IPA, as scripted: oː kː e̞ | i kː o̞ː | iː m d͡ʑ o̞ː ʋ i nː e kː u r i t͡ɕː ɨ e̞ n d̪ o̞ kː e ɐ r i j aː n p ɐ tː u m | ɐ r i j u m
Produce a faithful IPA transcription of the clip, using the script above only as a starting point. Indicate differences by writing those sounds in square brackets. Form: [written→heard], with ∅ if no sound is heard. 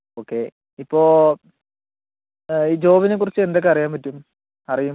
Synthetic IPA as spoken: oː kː e̞ | i [kː→pː] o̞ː | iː [m→∅] d͡ʑ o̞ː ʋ i [nː→n] e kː u r i t͡ɕː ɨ e̞ n d̪ o̞ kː e ɐ r i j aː [n→m] p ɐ tː u m | ɐ r i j u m